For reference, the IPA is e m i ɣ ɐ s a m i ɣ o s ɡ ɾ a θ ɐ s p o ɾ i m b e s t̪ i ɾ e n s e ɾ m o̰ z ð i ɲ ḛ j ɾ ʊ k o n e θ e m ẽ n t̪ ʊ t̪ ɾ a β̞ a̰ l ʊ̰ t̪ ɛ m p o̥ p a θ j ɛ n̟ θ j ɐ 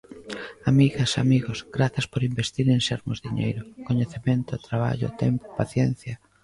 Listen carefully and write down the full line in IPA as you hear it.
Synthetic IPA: a m i ɣ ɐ s a m i ɣ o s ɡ ɾ a θ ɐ s p o ɾ i m b e s t̪ i ɾ e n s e ɾ m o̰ z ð i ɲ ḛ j ɾ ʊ k o ɲ e θ e m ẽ n t̪ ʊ t̪ ɾ a β̞ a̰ ʎ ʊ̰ t̪ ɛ m p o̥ p a θ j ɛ n̟ θ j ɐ